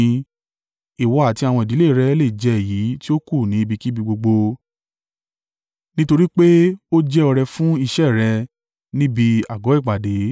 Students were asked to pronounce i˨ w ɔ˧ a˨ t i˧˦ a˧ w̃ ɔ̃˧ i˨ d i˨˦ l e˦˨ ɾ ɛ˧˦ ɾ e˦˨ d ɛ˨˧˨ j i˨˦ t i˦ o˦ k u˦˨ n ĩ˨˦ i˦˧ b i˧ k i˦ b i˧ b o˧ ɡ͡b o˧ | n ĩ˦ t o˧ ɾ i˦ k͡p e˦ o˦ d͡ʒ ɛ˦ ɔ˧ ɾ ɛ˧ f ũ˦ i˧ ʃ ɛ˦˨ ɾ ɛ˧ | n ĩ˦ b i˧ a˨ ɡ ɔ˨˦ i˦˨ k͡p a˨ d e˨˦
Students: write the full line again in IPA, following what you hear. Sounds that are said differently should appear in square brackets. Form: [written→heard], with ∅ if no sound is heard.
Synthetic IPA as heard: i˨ w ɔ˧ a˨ t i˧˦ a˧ w̃ ɔ̃˧ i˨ d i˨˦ l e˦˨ ɾ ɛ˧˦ [ɾ→l] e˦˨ [d→d͡ʒ] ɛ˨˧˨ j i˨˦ t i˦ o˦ k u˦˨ n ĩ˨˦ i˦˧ b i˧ k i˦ b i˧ [b→ɡ͡b] o˧ ɡ͡b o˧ | n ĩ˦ t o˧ ɾ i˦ k͡p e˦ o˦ d͡ʒ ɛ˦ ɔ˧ ɾ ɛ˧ f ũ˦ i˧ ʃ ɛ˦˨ ɾ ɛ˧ | n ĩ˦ b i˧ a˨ ɡ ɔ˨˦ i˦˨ k͡p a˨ d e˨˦

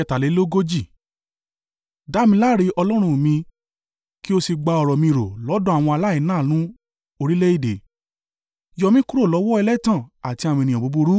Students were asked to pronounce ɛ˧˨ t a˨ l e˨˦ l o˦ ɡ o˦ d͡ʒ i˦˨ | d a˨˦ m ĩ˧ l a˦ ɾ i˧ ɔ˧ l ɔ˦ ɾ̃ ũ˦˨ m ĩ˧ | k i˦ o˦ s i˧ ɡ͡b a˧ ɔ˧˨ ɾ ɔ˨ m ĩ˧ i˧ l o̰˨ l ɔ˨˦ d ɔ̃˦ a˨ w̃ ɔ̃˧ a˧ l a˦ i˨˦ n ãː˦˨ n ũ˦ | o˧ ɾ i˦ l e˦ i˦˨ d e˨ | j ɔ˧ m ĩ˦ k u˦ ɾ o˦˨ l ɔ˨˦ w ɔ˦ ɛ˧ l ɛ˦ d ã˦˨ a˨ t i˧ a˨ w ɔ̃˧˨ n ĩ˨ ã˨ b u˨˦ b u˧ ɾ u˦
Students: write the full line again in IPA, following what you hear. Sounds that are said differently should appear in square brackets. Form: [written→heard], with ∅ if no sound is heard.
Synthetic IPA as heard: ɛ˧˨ t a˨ l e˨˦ l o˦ ɡ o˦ d͡ʒ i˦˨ | d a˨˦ m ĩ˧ l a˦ ɾ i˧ ɔ˧ l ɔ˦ ɾ̃ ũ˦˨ m ĩ˧ | k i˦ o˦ s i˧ ɡ͡b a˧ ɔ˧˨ ɾ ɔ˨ m ĩ˧ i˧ [l→ɾ] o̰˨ l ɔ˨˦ d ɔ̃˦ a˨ w̃ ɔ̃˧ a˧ l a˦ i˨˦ n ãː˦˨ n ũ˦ | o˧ ɾ i˦ l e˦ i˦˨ d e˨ | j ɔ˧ m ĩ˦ k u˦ ɾ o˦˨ l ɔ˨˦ w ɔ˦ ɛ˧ l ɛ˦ [d→t] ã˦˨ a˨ t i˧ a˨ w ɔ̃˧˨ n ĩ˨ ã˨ b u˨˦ b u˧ ɾ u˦

